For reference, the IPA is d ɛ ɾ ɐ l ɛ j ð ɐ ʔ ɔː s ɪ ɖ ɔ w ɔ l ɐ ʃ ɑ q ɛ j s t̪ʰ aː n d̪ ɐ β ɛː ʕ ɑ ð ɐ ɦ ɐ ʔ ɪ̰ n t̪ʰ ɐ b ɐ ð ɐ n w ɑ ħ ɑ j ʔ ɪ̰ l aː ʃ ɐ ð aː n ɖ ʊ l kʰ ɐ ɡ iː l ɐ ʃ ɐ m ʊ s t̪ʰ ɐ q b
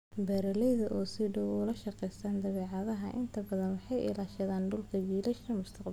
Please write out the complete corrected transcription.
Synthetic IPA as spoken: b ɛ ɾ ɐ l ɛ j ð ɐ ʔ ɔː s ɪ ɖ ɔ w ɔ l ɐ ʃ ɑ q ɛ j s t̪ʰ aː n d̪ ɐ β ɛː ʕ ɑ ð ɐ ɦ ɐ ʔ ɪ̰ n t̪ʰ ɐ b ɐ ð ɐ n w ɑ ħ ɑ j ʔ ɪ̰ l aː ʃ ɐ ð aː n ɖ ʊ l kʰ ɐ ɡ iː l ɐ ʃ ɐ m ʊ s t̪ʰ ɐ q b